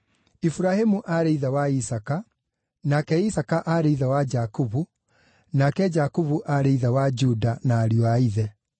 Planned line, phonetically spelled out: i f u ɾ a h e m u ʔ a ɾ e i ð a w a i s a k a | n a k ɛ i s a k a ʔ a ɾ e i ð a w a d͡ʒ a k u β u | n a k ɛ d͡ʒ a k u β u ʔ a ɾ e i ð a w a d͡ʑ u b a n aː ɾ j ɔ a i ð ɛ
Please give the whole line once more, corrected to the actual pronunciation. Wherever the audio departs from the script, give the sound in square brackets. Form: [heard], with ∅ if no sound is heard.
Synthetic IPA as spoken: i f u ɾ a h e m u ʔ a ɾ e i ð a w a i s a k a | n a k ɛ i s a k a ʔ a ɾ e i ð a w a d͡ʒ a k u β u | n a k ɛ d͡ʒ a k u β u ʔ a ɾ e i ð a w a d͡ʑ u [d] a n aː ɾ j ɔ a i ð ɛ

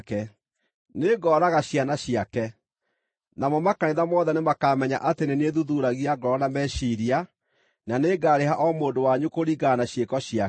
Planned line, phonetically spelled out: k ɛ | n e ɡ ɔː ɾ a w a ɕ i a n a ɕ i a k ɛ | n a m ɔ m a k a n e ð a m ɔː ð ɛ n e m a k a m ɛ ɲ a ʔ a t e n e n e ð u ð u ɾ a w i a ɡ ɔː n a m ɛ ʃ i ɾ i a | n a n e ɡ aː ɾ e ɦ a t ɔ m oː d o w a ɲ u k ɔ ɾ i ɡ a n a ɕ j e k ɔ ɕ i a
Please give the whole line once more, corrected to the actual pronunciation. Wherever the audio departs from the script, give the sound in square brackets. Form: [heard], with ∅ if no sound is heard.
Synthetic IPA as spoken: k ɛ | n e ɡ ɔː ɾ a [ɣ] a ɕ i a n a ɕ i a k ɛ | n a m ɔ m a k a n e ð a m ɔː ð ɛ n e m a k a m ɛ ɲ a ʔ a t e n e n e ð u ð u ɾ a [ɣ] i a ɡ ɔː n a m ɛ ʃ i ɾ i a | n a n e ɡ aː ɾ e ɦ a [ʔ] ɔ m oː d o w a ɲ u k [o] ɾ i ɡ a n a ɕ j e k ɔ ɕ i a

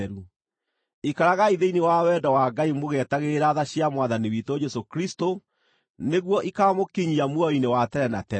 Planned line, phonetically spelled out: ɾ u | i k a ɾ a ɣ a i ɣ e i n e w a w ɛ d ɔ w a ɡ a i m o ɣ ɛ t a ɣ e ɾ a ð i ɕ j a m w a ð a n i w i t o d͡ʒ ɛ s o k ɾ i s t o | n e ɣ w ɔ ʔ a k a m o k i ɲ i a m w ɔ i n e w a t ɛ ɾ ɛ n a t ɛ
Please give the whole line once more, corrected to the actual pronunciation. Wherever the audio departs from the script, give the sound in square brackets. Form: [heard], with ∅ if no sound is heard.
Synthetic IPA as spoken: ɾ u | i k a ɾ a ɣ a i [ð] e i n e w a w ɛ d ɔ w a ɡ a i m o ɣ ɛ t a ɣ e ɾ a ð [a] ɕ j a m w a ð a n i w i t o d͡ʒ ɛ s o k ɾ i s t o | n e ɣ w ɔ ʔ [i] k a m o k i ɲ i a m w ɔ i n e w a t ɛ ɾ ɛ n a t ɛ

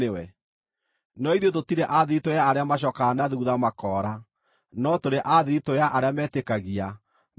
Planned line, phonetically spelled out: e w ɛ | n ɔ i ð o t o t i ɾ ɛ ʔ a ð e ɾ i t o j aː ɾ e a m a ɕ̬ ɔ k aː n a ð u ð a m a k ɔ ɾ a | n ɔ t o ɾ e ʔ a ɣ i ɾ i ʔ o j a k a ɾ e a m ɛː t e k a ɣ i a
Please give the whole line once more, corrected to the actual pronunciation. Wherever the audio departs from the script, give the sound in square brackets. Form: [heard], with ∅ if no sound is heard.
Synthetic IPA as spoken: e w ɛ | n ɔ i ð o t o t i ɾ ɛ ʔ a ð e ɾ i t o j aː ɾ e a m a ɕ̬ ɔ k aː n a ð u ð a m a k ɔ ɾ a | n ɔ t o ɾ e ʔ a [ð] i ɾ i [t] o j a [ʔ] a ɾ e a m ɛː t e k a ɣ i a

